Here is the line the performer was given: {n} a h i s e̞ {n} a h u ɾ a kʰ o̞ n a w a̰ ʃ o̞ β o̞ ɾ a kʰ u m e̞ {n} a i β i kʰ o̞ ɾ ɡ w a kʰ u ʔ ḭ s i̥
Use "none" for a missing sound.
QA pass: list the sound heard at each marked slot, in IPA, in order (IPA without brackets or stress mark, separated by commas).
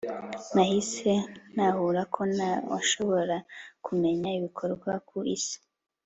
n, n, ɲ